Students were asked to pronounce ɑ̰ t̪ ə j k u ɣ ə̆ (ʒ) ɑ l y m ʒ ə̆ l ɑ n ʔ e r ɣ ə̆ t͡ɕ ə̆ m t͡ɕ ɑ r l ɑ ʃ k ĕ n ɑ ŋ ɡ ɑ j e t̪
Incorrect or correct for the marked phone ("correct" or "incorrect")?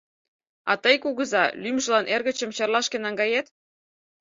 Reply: incorrect